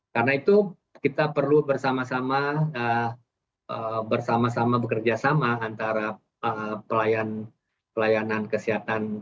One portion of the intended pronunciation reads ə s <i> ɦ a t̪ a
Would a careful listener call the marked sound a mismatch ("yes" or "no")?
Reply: no